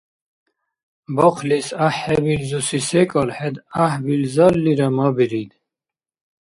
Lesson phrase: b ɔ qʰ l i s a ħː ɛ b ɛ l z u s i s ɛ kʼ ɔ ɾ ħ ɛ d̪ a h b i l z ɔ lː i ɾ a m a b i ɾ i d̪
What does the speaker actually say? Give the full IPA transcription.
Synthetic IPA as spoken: b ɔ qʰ l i s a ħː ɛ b i l z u s i s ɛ kʼ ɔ l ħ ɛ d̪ a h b i l z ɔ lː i ɾ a m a b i ɾ i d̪